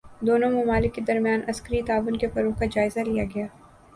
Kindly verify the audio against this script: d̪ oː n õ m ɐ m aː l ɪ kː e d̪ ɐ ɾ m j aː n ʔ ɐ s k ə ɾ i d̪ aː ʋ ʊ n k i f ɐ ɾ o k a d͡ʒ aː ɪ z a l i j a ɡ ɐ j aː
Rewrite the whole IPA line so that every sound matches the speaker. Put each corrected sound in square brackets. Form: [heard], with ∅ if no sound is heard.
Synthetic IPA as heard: d̪ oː n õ m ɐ m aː l ɪ kː e d̪ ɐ ɾ m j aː n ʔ ɐ s k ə ɾ i [t̪] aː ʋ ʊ n k [e] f ɐ ɾ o k a d͡ʒ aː ɪ z a l i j a ɡ ɐ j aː